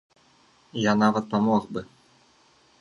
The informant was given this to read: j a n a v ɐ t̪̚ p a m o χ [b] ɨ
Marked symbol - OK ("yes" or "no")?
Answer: yes